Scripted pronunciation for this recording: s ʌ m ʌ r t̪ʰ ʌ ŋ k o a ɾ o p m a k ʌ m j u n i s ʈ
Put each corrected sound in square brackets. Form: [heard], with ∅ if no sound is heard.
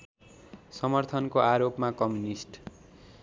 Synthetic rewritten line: s ʌ m ʌ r t̪ʰ ʌ [n] k o a ɾ o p m a k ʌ m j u n i s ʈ

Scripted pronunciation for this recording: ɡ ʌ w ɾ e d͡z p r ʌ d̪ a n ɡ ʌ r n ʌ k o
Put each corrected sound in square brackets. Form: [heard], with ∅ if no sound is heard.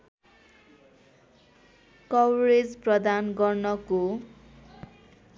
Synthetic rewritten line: [k] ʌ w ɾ e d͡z p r ʌ d̪ a n ɡ ʌ r n ʌ k o

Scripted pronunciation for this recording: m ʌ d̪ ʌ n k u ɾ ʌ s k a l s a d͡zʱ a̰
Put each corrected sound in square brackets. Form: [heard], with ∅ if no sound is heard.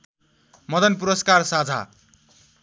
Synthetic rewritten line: m ʌ d̪ ʌ n [p] u ɾ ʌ s k a [r] s a d͡zʱ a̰

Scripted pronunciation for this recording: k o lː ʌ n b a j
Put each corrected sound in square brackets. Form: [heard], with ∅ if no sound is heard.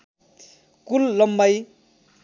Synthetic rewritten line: k [u] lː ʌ [m] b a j

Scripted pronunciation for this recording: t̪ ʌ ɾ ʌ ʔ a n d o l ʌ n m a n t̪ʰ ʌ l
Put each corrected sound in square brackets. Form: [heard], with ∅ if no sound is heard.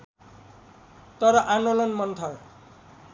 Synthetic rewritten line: t̪ ʌ ɾ ʌ ʔ a n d o l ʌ n m [ʌ] n t̪ʰ ʌ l

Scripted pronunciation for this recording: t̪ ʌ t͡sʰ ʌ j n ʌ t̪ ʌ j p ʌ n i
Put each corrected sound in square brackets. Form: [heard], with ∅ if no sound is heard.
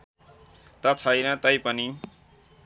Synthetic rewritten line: t̪ ʌ t͡sʰ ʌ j n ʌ t̪ ʌ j p ʌ n i

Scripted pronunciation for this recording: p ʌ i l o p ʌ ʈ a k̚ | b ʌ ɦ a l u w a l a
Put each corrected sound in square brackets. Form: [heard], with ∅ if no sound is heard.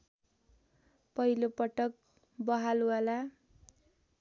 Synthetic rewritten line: p ʌ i l o p ʌ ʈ [ʌ] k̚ | b ʌ ɦ a l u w a l a

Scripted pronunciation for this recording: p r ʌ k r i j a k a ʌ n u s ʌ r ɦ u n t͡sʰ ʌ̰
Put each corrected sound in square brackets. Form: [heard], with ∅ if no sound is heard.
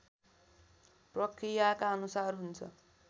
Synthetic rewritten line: p r ʌ k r i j a k a ʌ n u s [a] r ɦ u n t͡sʰ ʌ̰

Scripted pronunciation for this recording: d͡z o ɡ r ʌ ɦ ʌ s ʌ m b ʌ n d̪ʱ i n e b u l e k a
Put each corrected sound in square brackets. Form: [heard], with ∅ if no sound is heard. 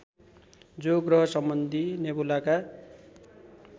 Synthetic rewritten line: d͡z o ɡ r ʌ ɦ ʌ s ʌ m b ʌ n d̪ʱ i n e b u l [a] k a

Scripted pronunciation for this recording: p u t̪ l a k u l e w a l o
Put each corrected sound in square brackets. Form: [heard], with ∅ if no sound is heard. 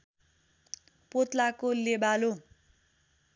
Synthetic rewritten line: p [o] t̪ l a k [o] l e [b] a l o

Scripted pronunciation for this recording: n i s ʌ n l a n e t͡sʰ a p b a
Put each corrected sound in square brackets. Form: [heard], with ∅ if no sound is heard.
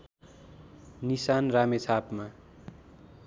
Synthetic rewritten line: n i s [a] n [r] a [m] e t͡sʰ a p [m] a

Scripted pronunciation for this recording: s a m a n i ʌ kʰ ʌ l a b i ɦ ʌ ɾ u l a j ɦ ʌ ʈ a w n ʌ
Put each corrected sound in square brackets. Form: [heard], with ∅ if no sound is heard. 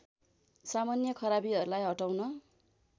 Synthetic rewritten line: s a m a n [j] ʌ kʰ ʌ [ɾ] a b i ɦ ʌ ɾ u l a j ɦ ʌ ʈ a w n ʌ

